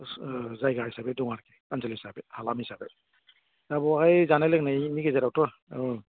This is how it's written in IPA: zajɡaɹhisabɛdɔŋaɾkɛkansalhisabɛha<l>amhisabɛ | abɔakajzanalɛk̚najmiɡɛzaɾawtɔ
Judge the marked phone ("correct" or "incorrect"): correct